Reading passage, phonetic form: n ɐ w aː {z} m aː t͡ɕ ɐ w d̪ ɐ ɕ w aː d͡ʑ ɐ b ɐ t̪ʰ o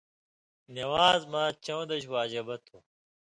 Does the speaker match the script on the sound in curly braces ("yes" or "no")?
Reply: yes